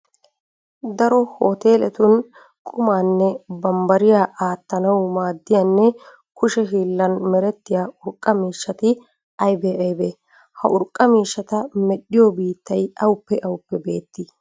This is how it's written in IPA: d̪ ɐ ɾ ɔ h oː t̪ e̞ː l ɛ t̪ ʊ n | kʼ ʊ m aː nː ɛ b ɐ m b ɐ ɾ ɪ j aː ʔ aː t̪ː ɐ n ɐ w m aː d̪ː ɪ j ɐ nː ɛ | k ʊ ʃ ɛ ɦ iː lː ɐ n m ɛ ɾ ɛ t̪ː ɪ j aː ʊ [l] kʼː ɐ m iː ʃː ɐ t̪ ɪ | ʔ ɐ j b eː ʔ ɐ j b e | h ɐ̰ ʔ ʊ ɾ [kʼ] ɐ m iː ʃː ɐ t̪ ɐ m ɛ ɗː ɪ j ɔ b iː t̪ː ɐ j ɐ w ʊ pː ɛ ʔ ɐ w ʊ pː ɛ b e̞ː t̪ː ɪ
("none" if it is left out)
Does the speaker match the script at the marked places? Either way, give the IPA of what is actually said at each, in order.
ɾ, kʼ

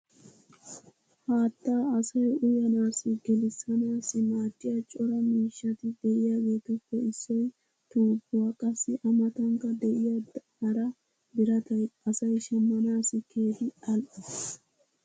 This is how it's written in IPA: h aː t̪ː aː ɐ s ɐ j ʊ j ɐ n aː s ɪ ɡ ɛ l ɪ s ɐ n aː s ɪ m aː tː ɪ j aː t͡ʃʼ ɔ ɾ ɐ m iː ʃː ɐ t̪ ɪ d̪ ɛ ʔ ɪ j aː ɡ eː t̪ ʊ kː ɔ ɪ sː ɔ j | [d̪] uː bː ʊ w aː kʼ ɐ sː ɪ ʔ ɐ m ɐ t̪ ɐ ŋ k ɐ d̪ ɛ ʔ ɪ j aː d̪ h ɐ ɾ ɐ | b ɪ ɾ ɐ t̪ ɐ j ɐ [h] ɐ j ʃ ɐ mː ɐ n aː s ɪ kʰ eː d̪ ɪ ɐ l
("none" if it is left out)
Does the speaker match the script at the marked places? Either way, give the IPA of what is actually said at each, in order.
t̪, s

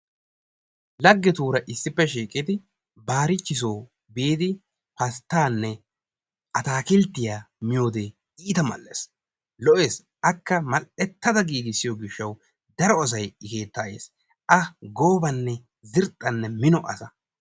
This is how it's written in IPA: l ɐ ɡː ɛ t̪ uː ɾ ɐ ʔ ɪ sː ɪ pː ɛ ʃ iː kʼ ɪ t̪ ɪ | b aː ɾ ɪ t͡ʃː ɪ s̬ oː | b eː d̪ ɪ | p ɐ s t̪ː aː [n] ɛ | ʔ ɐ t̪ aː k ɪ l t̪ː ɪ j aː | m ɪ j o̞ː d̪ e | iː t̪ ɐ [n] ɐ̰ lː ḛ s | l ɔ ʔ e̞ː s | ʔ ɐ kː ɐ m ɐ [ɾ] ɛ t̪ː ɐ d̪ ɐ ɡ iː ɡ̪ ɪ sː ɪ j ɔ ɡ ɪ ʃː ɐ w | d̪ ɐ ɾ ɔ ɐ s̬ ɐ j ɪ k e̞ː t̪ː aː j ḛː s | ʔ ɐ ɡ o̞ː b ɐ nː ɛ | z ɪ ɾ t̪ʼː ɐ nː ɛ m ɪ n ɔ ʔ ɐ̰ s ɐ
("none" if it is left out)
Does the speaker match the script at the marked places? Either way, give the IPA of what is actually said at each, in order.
nː, m, l

